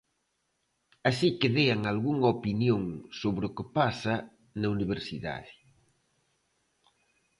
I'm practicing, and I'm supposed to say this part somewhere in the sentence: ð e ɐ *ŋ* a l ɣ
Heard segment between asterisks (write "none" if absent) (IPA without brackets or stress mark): ŋ